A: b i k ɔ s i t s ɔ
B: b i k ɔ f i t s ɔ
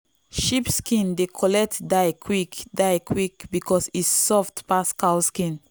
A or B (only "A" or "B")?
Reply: A